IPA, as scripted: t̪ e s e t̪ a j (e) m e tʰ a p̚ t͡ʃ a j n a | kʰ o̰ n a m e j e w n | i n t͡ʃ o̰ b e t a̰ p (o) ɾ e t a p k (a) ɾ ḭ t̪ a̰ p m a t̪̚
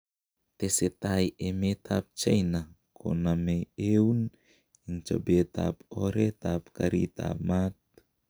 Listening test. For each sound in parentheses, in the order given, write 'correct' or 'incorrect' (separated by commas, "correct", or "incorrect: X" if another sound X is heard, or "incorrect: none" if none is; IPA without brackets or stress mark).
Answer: correct, correct, correct